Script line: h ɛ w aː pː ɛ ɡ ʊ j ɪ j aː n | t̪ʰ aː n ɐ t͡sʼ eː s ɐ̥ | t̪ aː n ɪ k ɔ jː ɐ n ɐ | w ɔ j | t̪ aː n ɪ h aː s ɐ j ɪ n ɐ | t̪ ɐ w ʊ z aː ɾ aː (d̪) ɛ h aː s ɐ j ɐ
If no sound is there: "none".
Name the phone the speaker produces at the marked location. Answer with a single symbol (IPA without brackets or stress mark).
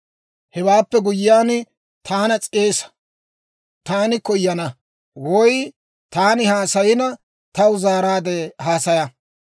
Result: d̪